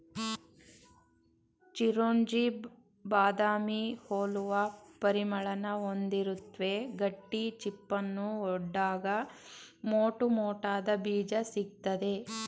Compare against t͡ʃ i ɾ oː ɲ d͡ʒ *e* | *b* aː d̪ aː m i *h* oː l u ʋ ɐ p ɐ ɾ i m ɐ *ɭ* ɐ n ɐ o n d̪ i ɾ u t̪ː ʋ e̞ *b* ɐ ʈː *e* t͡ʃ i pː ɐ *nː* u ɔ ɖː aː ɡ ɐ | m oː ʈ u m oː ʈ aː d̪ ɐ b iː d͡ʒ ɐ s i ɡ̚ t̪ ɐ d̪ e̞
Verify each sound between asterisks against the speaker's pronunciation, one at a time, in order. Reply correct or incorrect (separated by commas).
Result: incorrect, correct, correct, correct, incorrect, incorrect, correct